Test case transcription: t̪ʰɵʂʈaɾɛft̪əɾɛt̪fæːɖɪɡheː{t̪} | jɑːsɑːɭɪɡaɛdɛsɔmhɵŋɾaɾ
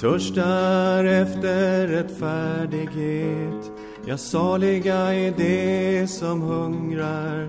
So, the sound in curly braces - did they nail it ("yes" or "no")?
yes